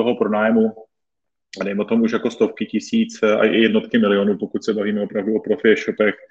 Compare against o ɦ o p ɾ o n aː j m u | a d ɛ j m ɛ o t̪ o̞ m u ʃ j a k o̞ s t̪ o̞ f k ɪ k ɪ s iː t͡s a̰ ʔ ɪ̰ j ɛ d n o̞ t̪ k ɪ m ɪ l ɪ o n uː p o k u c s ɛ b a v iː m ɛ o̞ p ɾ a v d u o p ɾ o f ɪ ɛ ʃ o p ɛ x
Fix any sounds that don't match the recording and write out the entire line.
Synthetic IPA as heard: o ɦ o p ɾ o n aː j m u | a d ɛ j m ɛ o t̪ o̞ m u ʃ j a k o̞ s t̪ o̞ f k ɪ c ɪ s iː t͡s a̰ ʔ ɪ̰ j ɛ d n o̞ t̪ k ɪ m ɪ l ɪ o n uː p o k u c s ɛ b a v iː m ɛ o̞ p ɾ a v d u o p ɾ o f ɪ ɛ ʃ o p ɛ x